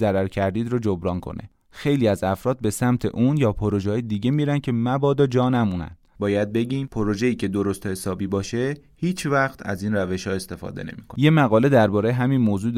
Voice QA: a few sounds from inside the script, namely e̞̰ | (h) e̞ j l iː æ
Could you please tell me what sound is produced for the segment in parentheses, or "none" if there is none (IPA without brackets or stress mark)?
x